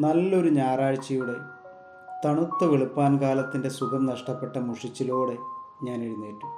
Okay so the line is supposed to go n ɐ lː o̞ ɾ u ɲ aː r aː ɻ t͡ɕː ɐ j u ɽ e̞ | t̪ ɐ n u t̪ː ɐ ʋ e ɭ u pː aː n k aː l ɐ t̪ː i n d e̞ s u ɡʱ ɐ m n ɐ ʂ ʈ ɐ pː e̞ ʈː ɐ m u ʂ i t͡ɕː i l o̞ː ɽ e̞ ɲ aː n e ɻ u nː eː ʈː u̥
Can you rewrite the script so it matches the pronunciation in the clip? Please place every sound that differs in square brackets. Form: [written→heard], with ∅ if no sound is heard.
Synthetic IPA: n ɐ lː o̞ ɾ u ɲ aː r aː ɻ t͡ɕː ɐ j u ɽ e̞ | t̪ ɐ [n→ɳ] u t̪ː ɐ ʋ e ɭ u pː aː n k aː l ɐ t̪ː i n d e̞ s u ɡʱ ɐ m n ɐ ʂ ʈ ɐ pː e̞ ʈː ɐ m u ʂ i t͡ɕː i l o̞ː ɽ e̞ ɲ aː n e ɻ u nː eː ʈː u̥